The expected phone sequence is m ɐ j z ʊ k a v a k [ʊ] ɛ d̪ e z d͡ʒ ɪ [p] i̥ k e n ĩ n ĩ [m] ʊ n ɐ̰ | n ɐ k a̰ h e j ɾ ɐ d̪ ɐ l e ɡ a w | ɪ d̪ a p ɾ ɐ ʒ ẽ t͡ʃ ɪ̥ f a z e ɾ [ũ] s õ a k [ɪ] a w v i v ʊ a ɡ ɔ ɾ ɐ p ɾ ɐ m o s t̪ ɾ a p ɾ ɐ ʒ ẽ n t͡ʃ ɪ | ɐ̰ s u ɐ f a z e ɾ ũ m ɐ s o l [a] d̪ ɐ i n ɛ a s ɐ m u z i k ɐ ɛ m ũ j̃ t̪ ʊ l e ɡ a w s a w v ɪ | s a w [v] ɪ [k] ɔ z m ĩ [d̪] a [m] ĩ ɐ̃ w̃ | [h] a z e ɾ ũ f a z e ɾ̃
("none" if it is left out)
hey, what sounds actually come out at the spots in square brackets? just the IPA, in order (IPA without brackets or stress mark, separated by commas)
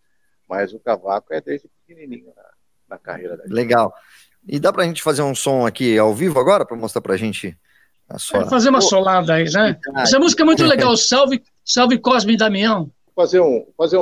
ʊ, p, ɲ, ũ, i, a, v, k, d̪, m, f